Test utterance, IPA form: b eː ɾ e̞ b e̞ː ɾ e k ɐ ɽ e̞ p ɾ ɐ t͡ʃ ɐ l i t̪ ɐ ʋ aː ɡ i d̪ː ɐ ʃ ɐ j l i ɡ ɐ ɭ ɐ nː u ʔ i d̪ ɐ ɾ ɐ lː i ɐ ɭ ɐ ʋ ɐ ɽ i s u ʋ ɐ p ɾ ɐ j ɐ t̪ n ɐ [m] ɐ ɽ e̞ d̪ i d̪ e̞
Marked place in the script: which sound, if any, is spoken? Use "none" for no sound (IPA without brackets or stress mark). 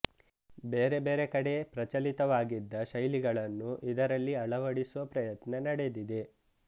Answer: n